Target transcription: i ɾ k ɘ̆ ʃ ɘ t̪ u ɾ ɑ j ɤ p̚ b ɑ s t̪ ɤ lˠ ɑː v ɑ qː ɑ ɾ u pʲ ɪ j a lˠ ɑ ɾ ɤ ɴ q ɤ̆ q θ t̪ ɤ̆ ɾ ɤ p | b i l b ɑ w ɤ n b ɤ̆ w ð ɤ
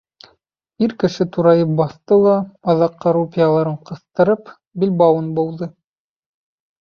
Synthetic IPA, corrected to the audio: i ɾ k ɘ̆ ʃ ɘ t̪ u ɾ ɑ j ɤ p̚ b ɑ θ t̪ ɤ lˠ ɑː ð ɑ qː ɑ ɾ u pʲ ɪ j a lˠ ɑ ɾ ɤ ɴ q ɤ̆ θ t̪ ɤ̆ ɾ ɤ p | b i l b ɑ w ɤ n b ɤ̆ w ð ɤ